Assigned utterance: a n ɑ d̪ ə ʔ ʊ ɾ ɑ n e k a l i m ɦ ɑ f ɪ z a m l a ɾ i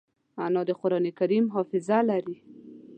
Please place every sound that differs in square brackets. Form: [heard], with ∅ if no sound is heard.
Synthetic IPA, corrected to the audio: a n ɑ d̪ ə [q] ʊ ɾ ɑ n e k a [ɾ] i m ɦ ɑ f ɪ z a [∅] l a ɾ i